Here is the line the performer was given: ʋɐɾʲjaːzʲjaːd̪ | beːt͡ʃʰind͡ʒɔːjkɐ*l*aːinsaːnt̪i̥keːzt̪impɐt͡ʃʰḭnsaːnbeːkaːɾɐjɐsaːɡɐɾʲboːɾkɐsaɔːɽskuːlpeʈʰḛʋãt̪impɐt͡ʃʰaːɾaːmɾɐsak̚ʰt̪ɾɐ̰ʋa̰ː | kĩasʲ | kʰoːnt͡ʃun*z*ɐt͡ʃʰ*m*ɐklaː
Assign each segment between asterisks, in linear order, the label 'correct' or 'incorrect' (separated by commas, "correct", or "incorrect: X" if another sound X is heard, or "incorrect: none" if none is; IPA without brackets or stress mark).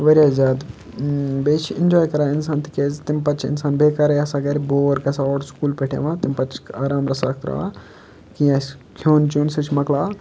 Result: incorrect: ɾ, incorrect: s, correct